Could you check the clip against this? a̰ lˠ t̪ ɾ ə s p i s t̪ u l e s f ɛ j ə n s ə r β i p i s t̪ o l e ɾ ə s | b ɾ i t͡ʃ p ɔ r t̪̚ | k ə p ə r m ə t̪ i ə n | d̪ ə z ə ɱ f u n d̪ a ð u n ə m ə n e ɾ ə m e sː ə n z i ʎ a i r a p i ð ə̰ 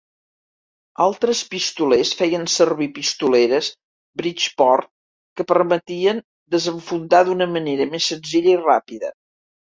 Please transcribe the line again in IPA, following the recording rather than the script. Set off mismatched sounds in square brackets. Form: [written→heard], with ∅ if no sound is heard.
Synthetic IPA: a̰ lˠ t̪ ɾ ə s p i s t̪ u l e s f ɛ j ə n s ə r β i p i s t̪ [o→u] l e ɾ ə s | b ɾ i t͡ʃ p ɔ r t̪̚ | k ə p ə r m ə t̪ i ə n | d̪ ə z ə ɱ f u n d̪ a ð u n ə m ə n e ɾ ə m e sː ə n z i ʎ [a→ə] i r a p i ð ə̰